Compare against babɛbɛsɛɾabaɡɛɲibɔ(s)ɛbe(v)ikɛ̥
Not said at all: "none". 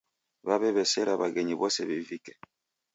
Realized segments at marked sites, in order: s, v

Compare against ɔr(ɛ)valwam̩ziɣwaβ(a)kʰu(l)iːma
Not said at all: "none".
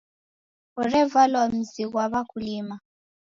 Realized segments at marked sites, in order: ɛ, a, l

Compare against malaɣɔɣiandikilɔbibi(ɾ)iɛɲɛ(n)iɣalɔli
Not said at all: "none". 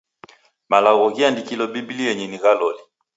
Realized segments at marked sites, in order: l, n

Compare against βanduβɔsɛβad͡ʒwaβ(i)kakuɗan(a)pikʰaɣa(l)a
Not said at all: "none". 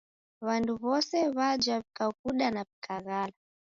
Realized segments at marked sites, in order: i, a, l

